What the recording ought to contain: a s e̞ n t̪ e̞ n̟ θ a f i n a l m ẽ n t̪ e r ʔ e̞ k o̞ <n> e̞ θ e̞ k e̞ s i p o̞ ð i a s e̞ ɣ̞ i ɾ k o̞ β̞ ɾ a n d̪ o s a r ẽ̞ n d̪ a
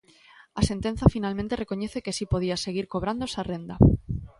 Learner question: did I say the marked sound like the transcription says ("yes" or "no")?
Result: no